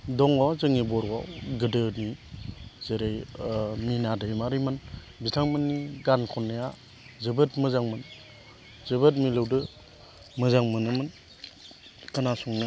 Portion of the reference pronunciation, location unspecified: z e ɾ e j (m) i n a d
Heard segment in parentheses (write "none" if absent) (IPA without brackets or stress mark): m